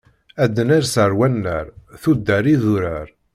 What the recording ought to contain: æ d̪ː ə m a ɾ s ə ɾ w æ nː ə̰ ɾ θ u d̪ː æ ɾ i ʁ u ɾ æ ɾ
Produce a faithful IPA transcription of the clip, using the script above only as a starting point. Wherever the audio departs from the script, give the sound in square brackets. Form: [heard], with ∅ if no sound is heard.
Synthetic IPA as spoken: æ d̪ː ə [n] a ɾ s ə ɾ w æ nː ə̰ ɾ θ u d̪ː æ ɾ i [ð] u ɾ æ ɾ